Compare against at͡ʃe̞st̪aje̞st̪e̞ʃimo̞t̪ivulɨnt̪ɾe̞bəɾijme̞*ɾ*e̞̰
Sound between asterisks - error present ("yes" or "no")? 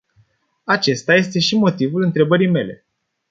yes